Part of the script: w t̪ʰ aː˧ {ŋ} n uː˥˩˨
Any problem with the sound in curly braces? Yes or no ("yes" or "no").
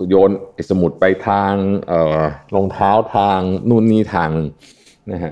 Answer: no